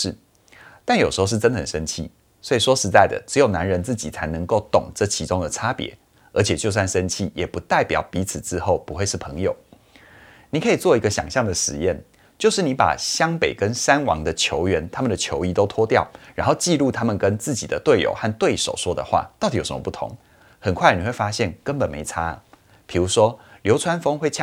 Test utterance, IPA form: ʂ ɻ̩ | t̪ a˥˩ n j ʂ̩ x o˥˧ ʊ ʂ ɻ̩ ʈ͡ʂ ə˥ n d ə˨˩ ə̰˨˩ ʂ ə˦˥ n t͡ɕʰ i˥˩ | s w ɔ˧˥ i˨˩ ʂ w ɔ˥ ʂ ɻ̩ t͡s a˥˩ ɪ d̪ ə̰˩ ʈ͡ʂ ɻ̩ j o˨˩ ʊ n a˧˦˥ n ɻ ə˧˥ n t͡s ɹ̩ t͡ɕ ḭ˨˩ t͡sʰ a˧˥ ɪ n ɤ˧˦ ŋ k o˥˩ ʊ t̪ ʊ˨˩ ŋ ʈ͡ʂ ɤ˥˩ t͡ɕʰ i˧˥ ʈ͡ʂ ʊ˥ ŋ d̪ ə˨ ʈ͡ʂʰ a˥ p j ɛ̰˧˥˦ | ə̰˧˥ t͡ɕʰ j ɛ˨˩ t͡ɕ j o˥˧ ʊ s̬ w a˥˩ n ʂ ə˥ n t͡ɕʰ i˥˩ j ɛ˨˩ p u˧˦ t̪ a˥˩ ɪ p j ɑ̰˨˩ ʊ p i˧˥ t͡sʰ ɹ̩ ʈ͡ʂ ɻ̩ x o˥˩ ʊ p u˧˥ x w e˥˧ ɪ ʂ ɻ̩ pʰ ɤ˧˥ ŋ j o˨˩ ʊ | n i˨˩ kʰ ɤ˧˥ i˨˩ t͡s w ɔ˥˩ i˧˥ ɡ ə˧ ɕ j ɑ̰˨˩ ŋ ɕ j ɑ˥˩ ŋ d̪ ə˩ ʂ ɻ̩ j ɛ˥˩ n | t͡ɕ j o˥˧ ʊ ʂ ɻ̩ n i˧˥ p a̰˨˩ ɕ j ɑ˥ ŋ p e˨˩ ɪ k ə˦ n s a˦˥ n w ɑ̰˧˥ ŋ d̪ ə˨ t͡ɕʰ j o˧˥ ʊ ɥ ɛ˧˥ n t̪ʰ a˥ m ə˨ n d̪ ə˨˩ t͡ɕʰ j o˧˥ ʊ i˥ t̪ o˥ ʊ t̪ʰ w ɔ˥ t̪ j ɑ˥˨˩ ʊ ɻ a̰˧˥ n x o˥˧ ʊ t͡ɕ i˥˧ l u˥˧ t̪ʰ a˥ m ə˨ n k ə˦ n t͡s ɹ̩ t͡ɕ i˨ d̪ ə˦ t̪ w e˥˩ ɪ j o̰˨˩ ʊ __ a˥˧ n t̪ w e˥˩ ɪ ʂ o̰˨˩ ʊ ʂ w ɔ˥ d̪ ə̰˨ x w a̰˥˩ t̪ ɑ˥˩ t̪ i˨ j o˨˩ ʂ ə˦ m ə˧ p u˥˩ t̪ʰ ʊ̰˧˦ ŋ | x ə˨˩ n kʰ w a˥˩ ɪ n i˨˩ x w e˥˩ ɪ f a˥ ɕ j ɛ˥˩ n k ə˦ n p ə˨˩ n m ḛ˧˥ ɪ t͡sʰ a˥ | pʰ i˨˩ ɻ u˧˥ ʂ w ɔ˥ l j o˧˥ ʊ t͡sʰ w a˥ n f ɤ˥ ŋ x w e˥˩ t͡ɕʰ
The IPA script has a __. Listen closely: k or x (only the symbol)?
x